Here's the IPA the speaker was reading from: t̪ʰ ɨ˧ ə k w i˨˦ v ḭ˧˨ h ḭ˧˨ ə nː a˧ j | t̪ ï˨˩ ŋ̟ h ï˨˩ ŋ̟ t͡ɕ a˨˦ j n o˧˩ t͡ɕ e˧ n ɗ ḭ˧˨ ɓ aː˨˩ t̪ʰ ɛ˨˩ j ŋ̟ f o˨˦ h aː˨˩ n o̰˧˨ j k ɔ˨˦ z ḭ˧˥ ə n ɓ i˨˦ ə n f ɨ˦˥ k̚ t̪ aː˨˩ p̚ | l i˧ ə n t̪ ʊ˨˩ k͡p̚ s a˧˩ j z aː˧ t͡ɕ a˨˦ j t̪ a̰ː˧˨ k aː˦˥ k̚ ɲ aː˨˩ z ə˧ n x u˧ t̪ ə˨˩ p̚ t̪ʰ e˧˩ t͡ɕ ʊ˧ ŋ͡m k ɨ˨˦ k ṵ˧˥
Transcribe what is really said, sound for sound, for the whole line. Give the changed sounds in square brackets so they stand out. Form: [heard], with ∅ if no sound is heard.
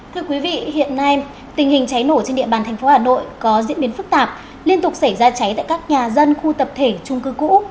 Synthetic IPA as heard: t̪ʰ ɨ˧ ə k w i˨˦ v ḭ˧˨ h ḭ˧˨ ə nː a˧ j | t̪ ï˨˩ ŋ̟ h ï˨˩ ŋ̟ t͡ɕ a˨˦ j n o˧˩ t͡ɕ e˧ n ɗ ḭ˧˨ ɓ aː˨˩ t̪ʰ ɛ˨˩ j ŋ̟ f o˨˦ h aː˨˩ n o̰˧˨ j k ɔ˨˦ z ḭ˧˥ ə n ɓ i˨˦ ə n f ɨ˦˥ k̚ t̪ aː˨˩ p̚ | l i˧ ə n t̪ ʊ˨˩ k͡p̚ s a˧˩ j z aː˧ t͡ɕ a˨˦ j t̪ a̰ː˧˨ k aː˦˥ k̚ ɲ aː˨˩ z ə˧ n x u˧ t̪ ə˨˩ p̚ t̪ʰ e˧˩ t͡ɕ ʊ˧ ŋ͡m k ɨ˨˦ k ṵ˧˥